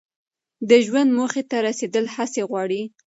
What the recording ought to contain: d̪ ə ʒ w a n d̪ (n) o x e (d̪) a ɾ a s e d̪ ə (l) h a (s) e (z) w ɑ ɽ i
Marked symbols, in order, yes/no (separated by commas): no, no, yes, yes, no